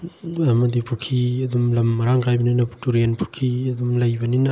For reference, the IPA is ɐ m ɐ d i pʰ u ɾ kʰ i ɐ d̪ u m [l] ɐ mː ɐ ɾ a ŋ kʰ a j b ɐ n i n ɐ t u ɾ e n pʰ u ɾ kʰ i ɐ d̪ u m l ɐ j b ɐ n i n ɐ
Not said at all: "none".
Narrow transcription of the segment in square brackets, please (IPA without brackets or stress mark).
l